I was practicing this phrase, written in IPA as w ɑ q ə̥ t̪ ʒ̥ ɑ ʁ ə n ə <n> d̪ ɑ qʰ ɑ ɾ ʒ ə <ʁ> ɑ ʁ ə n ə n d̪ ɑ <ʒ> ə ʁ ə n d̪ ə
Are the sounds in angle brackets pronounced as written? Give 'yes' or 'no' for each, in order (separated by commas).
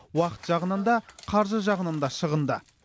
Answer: yes, no, no